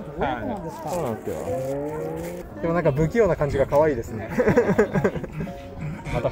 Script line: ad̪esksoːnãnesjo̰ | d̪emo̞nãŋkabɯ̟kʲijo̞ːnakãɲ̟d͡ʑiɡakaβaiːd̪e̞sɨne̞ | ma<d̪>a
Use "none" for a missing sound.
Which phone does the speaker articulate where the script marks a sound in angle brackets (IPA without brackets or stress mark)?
t̪